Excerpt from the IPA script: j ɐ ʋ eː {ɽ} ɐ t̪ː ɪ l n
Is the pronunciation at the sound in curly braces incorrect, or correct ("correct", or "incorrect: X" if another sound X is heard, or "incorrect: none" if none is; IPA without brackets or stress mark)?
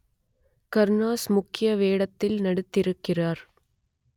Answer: correct